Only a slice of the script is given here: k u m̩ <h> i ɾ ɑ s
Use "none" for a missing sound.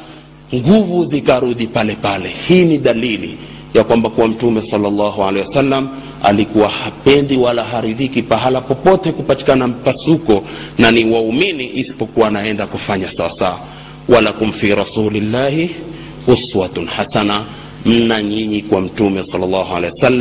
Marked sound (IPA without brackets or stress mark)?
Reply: f